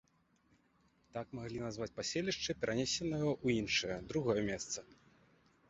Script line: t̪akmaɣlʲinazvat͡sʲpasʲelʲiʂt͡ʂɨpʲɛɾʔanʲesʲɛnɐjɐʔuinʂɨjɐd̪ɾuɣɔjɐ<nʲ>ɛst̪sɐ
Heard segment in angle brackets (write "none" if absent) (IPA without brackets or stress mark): mʲ